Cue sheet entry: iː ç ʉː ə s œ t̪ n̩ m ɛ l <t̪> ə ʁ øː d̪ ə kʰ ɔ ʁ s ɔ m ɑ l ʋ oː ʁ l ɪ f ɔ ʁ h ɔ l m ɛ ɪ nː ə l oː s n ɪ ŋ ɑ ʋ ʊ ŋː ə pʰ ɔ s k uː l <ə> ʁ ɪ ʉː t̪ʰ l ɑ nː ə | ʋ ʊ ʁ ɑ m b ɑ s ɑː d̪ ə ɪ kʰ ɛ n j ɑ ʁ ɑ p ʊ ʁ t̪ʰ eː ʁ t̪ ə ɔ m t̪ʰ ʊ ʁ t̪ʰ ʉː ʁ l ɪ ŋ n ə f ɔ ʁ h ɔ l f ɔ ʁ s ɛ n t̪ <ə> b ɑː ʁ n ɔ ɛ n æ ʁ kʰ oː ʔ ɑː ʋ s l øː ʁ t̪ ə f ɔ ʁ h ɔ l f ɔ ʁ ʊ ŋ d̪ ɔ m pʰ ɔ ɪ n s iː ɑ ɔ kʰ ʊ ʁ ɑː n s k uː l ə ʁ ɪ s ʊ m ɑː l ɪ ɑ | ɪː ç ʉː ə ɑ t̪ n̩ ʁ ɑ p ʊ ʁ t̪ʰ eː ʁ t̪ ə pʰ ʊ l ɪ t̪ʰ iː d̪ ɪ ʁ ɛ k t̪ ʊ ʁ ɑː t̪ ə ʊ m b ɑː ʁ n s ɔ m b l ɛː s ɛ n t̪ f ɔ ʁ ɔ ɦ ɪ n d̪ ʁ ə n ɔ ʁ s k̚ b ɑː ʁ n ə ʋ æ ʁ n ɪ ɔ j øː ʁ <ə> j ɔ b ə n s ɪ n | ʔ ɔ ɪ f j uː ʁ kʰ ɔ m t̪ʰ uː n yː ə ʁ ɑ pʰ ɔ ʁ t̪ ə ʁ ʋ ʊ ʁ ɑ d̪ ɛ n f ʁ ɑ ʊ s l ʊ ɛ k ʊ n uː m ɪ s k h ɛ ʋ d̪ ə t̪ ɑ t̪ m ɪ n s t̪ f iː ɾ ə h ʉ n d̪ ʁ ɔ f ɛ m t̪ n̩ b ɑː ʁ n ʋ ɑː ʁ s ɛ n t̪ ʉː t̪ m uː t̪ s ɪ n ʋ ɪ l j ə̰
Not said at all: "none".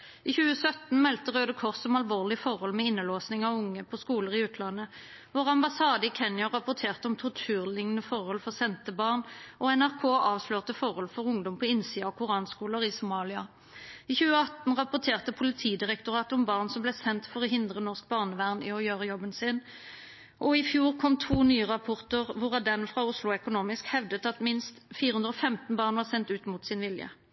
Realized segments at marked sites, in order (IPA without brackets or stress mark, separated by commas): t̪, ə, ə, ə